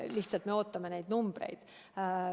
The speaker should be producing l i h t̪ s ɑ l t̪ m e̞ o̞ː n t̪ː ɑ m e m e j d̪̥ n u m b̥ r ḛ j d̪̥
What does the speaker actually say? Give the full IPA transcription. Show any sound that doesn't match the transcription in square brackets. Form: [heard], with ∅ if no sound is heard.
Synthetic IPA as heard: l i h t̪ s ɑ l t̪ m e̞ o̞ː [∅] t̪ː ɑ m e [n] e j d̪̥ n u m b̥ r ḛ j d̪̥